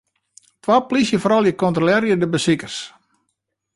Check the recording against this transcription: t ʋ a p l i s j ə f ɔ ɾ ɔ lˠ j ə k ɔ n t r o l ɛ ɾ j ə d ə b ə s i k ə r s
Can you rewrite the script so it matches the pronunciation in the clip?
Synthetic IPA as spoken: t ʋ a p l i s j ə f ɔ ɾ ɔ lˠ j ə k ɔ n t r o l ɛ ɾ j ə d ə b ə s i k ə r s